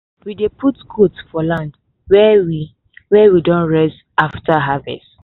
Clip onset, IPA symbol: w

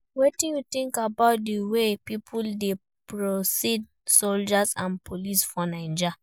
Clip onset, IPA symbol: w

